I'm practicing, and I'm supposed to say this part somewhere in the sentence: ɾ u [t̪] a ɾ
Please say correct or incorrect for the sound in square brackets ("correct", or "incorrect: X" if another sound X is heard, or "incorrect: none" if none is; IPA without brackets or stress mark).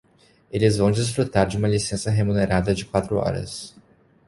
correct